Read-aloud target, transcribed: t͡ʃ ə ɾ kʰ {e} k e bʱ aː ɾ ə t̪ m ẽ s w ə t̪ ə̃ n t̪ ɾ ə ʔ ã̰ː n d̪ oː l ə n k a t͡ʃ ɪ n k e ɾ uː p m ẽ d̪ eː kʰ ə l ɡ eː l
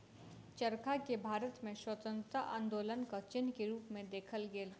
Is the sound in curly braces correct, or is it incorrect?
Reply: incorrect